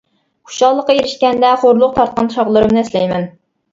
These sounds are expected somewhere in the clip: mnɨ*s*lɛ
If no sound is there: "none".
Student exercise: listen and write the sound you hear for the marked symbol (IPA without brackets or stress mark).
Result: s